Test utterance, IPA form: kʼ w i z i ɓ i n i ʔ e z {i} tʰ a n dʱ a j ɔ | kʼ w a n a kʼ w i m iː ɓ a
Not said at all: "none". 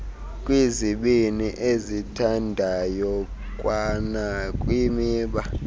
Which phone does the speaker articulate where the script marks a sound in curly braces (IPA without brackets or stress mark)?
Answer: i